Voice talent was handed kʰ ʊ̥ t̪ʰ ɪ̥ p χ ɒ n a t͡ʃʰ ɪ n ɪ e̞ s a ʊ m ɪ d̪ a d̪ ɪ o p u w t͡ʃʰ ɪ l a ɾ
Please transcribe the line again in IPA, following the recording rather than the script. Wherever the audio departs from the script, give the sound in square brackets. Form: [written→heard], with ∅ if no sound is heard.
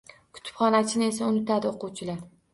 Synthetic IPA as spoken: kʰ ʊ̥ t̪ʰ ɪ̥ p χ ɒ n a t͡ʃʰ ɪ n ɪ e̞ s a ʊ [m→n] ɪ [d̪→t̪] a d̪ ɪ o [p→q] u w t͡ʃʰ ɪ l a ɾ